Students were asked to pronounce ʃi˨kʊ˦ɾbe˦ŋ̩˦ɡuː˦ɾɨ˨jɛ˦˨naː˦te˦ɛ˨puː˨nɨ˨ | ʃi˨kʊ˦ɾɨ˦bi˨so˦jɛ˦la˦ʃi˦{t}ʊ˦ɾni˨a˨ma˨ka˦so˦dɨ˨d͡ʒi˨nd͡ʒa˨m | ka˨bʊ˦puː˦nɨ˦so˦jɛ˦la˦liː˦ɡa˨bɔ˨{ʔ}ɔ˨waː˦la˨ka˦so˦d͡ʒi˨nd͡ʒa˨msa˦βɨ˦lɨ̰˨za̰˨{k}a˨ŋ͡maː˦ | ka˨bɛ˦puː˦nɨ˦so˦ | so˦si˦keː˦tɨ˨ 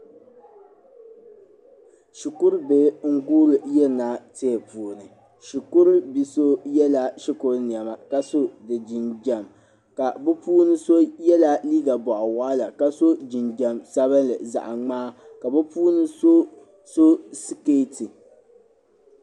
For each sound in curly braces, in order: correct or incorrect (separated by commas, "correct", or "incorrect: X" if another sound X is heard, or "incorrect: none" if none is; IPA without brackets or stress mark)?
incorrect: k, correct, incorrect: ʔ